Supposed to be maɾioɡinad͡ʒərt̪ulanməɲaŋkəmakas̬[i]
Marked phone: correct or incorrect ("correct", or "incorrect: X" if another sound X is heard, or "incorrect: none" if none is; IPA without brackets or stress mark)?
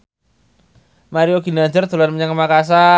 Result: incorrect: a